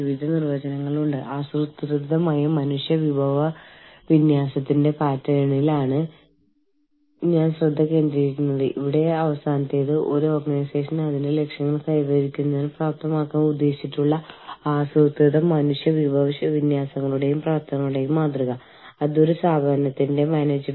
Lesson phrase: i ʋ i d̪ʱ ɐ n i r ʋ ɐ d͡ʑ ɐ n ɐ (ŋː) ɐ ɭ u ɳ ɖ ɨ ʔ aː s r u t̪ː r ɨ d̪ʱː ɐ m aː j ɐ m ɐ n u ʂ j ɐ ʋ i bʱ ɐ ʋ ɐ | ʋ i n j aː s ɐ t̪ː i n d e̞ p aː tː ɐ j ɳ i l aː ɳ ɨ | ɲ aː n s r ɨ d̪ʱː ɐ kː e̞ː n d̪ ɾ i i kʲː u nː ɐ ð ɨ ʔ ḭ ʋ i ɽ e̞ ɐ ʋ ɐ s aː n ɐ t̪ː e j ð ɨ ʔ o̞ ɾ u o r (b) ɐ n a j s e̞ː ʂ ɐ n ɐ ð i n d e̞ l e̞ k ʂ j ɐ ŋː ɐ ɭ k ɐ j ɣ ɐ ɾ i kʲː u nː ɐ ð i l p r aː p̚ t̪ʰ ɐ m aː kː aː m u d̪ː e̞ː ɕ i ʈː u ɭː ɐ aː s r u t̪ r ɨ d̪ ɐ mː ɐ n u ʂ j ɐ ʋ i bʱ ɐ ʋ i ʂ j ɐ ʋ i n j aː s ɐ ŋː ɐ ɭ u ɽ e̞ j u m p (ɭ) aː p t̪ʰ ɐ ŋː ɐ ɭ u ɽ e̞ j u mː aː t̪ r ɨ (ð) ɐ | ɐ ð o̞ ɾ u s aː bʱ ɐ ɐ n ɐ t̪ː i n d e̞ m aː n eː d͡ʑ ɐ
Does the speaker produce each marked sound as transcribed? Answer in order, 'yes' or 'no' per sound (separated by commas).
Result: yes, no, no, no